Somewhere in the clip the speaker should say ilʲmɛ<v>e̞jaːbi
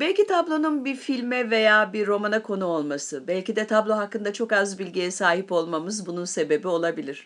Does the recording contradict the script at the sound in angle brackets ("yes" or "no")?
no